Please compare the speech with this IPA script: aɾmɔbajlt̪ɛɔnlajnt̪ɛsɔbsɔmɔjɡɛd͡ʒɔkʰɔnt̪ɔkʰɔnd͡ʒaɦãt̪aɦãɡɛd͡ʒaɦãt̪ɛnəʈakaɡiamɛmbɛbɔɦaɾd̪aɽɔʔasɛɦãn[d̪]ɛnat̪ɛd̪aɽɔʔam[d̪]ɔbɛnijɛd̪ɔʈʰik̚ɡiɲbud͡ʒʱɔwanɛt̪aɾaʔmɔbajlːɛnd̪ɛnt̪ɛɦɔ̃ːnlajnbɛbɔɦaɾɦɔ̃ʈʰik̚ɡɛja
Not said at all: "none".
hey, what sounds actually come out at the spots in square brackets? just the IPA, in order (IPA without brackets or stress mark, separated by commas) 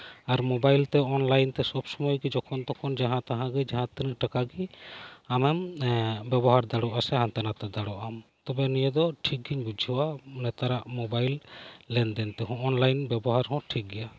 t̪, t̪